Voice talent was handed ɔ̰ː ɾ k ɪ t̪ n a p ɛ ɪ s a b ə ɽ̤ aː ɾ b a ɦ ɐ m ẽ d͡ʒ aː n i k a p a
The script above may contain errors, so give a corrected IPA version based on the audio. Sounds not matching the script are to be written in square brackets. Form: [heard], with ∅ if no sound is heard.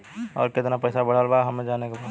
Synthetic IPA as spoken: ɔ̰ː ɾ k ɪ t̪ n a p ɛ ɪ s a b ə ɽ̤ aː [l] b a ɦ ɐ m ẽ d͡ʒ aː n [e] k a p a